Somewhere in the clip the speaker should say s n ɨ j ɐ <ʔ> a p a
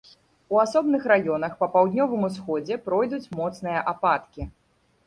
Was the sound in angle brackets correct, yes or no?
yes